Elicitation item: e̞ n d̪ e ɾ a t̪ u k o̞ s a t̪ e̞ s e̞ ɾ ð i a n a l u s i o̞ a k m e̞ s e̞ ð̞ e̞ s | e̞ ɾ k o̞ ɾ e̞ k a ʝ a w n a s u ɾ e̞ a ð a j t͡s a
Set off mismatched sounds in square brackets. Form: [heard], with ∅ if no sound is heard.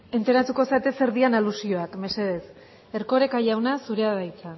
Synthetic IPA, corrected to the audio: e̞ n [t̪] e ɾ a t̪ u k o̞ s a t̪ e̞ s e̞ ɾ ð i a n a l u s i o̞ a k m e̞ s e̞ ð̞ e̞ s | e̞ ɾ k o̞ ɾ e̞ k a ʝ a w n a s u ɾ e̞ a ð a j t͡s a